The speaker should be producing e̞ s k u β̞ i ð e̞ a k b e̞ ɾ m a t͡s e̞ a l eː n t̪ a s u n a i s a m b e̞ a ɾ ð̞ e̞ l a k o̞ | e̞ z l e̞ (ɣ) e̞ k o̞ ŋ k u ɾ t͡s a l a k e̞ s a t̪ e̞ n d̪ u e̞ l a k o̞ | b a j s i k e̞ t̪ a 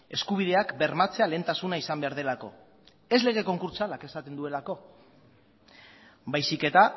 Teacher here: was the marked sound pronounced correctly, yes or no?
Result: yes